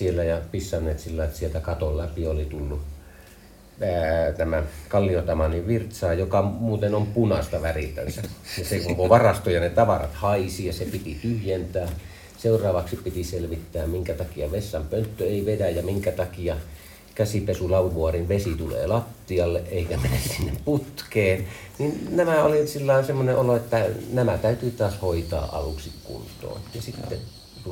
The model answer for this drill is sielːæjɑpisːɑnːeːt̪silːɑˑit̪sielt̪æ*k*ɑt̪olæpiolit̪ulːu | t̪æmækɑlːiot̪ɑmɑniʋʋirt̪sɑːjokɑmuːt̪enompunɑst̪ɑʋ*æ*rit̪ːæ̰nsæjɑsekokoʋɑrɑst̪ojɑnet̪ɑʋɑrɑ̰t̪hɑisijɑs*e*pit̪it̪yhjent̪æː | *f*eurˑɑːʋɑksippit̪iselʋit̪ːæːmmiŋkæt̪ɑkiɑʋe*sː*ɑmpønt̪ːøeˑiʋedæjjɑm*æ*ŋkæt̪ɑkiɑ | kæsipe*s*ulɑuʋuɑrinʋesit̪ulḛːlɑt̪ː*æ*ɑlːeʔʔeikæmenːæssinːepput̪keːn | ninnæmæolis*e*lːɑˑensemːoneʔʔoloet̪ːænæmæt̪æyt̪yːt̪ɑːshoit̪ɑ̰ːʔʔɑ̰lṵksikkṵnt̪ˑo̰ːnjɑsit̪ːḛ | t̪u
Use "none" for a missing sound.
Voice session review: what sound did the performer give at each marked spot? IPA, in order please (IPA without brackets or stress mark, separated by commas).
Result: k, æ, e, s, sː, i, s, i, i